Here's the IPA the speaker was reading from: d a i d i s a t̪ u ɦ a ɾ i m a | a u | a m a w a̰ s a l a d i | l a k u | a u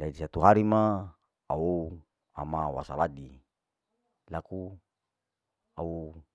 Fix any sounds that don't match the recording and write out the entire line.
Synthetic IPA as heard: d a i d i s a t̪ u ɦ a ɾ i m a | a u | a m a w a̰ s a l a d i | l a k u | a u